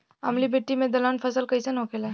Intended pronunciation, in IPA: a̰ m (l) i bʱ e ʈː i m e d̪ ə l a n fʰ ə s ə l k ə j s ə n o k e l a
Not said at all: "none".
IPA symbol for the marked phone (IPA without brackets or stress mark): l